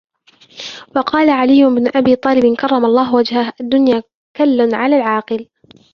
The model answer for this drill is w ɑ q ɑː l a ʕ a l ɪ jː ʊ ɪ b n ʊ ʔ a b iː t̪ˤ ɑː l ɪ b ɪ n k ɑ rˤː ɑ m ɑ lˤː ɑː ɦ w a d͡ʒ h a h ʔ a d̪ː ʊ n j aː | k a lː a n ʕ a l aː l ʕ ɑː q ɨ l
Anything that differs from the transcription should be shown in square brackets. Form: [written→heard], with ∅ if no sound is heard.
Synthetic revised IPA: w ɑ q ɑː l a ʕ a l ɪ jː ʊ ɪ b n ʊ ʔ a b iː t̪ˤ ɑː l ɪ b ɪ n k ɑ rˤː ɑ m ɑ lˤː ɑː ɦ w a d͡ʒ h a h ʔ a d̪ː ʊ n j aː | k a lː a n ʕ a l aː l ʕ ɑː q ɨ l